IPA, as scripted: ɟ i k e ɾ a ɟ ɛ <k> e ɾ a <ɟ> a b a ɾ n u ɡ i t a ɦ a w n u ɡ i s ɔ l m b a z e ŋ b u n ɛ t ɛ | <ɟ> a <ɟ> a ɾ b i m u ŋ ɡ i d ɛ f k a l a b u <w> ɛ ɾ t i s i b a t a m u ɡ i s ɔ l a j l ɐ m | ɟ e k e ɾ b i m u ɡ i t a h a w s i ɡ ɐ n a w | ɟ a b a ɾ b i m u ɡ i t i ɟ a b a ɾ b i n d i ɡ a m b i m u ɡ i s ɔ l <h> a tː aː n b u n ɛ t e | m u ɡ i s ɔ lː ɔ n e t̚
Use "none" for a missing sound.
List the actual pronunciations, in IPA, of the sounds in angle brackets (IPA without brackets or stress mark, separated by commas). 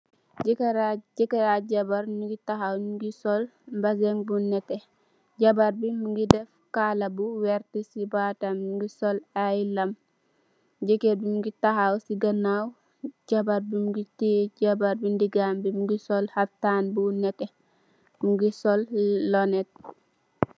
k, ɟ, ɟ, b, w, h